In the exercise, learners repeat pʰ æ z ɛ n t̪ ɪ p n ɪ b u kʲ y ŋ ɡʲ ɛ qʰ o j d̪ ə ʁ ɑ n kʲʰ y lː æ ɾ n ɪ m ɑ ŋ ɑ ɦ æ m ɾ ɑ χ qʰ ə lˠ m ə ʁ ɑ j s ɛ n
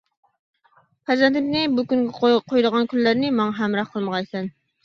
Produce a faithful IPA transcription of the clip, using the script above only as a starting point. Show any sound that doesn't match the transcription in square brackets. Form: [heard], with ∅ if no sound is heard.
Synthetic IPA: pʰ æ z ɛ n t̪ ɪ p n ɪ b u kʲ y ŋ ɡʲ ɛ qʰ o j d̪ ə ʁ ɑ n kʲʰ y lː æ ɾ n ɪ m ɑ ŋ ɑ ɦ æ m ɾ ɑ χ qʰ ə lˠ m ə ʁ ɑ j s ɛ n